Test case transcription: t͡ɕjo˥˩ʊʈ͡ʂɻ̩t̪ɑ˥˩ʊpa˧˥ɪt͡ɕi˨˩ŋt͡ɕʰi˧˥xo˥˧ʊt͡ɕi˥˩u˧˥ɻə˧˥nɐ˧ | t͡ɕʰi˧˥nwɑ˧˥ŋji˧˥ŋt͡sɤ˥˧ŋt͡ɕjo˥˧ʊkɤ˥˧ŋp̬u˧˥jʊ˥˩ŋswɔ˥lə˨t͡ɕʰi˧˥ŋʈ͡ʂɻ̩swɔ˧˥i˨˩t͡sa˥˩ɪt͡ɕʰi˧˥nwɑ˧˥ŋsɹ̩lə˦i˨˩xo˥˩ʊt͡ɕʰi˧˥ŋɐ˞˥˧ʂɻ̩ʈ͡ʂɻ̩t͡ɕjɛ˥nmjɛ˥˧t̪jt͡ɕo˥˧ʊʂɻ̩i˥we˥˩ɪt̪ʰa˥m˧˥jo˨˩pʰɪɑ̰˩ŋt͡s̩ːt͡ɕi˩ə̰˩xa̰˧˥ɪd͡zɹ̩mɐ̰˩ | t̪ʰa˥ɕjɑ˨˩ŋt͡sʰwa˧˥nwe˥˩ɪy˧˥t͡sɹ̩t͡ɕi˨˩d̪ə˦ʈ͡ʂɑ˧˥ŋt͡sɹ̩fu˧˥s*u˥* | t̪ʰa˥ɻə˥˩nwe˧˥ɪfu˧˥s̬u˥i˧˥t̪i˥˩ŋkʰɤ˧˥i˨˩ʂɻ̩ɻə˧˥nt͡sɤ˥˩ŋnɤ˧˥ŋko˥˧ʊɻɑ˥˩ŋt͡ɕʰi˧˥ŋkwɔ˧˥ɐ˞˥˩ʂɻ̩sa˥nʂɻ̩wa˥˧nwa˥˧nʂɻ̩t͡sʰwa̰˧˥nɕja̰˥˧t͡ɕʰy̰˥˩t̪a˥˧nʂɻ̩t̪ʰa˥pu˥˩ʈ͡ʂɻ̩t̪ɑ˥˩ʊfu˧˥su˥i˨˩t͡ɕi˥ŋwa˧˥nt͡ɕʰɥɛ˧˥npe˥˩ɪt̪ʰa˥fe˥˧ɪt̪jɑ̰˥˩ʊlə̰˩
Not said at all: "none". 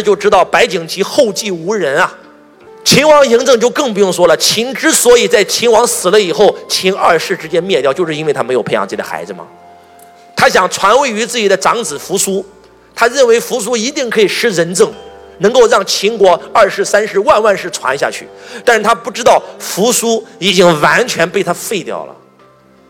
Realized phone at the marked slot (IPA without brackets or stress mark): u˥